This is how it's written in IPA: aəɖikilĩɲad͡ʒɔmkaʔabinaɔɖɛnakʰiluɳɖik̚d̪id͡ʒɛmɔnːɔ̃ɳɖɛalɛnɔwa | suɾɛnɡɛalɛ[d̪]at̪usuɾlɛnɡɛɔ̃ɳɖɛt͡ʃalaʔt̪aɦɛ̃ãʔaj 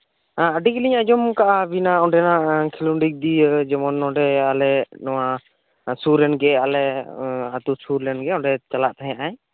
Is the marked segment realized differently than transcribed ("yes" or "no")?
yes